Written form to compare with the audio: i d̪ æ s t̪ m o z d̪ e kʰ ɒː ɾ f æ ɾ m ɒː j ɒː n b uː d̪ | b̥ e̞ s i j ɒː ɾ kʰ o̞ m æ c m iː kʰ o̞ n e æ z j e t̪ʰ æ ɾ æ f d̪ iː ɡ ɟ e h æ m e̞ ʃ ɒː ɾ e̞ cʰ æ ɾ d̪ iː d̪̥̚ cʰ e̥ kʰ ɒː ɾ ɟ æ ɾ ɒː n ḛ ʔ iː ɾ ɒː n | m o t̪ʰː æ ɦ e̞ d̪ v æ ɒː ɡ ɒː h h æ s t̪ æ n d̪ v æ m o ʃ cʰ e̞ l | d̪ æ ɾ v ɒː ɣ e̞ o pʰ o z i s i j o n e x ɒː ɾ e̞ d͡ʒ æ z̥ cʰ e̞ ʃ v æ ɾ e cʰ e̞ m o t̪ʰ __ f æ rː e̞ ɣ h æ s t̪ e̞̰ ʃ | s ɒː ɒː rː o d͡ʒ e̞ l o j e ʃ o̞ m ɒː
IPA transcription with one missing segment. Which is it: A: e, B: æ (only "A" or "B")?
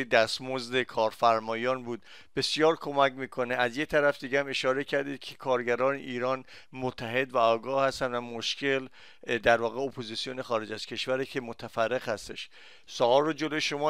B